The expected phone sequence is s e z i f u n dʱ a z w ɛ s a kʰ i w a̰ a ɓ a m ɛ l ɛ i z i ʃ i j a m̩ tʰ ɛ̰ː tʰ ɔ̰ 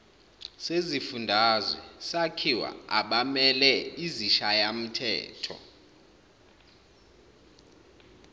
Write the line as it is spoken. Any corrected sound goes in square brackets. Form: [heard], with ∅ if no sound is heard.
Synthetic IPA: s e z i f u n dʱ a z w ɛ s a kʰ i w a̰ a ɓ a m ɛ l ɛ i z i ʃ [a] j a m̩ tʰ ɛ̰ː tʰ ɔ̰

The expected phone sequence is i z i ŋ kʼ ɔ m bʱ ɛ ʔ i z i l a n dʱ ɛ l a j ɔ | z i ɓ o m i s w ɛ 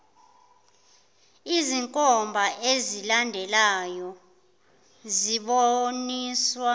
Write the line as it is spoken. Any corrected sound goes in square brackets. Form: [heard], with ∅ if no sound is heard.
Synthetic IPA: i z i ŋ kʼ ɔ m bʱ [a] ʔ [e] z i l a n dʱ ɛ l a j ɔ | z i ɓ o [n] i s w [a]

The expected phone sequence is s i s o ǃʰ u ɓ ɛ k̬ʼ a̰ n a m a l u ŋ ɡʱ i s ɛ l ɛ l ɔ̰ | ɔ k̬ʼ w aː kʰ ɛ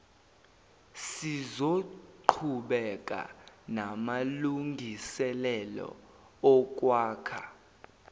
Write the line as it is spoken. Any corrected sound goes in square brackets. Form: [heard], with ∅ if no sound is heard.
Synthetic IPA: s i [z] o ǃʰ u ɓ ɛ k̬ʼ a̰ n a m a l u ŋ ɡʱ i s ɛ l ɛ l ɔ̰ | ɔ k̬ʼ w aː kʰ [a]

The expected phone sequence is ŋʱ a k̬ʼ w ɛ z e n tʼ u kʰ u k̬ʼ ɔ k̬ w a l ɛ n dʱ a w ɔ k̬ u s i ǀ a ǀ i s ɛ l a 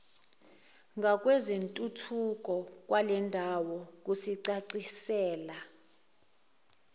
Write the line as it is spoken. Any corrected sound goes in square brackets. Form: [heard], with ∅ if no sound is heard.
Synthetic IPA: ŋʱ a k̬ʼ w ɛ z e n tʼ u [tʰ] u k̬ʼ ɔ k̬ w a l ɛ n dʱ a w ɔ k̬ u s i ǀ a ǀ i s [ɛː] l a

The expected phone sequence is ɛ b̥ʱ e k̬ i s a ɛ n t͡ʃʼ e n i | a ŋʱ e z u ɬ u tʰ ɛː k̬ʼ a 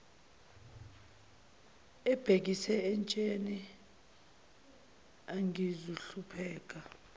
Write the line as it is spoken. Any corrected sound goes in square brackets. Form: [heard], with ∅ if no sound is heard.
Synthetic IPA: ɛ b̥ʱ e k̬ i s [ɛ] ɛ n t͡ʃʼ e n i | a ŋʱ [i] z u ɬ u [pʰ] ɛː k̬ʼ a

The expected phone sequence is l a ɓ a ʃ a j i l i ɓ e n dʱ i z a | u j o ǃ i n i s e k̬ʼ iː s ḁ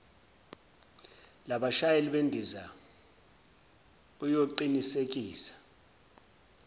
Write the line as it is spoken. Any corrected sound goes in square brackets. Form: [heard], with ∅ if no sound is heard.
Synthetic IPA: l a ɓ a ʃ a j [e] l i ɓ e n dʱ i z a | u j o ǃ i n i s e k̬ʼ iː s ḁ

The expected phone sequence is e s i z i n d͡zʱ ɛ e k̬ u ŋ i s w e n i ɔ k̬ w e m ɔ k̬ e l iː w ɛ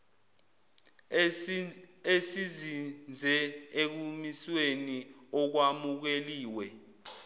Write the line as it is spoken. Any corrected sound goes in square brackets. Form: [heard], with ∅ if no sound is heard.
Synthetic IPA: e s i z i n d͡zʱ ɛ e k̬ u [m] i s w e n i ɔ k̬ w [a] m [u] k̬ e l iː w ɛ

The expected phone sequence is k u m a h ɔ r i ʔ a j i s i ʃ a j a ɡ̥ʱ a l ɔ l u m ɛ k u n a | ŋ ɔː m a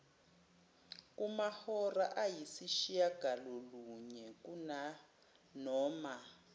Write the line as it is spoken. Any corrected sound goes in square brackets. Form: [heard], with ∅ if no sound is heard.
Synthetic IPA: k u m a h ɔ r [a] ʔ a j i s i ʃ [i] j a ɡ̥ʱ a l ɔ l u [ɲ] ɛ k u n a | [n] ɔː m a

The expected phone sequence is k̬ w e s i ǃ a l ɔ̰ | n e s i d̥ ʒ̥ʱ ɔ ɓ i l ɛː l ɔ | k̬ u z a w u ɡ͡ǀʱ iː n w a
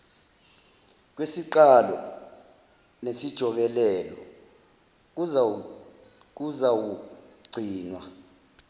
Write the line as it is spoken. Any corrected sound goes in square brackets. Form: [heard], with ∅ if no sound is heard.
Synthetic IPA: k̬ w e s i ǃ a l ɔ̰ | n e s i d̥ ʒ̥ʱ ɔ ɓ [ɛ] l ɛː l ɔ | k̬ u z a w u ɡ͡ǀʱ iː n w a

